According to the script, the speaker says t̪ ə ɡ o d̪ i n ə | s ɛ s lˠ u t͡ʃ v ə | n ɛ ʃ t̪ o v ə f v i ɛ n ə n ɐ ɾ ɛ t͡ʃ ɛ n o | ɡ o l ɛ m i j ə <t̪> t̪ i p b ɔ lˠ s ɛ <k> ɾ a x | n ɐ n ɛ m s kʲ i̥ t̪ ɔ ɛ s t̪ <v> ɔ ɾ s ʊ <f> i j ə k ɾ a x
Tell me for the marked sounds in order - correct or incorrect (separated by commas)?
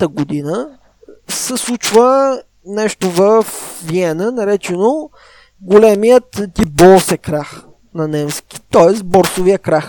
correct, correct, incorrect, incorrect